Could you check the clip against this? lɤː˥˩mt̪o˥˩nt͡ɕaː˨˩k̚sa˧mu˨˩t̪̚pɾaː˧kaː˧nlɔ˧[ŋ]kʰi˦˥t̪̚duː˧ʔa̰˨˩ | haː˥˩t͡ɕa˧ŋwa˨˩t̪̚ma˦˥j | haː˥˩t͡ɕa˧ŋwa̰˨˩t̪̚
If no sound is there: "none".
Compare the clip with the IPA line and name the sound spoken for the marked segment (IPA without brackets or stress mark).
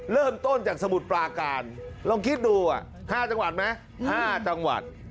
ŋ